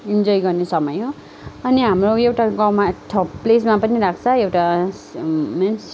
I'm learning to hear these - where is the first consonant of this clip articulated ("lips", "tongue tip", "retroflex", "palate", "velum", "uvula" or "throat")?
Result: tongue tip